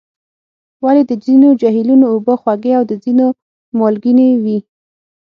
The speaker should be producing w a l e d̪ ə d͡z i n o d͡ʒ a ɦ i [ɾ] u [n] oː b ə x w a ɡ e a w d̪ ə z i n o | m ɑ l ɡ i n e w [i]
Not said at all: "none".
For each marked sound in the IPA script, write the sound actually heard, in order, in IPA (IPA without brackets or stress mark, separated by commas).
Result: l, n, i